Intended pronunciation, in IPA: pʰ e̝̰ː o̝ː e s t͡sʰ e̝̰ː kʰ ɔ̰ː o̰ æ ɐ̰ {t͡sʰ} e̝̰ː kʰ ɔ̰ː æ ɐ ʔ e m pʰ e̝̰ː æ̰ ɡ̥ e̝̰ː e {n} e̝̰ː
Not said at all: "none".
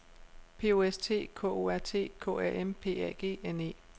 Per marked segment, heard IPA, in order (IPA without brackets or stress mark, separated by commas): t͡sʰ, n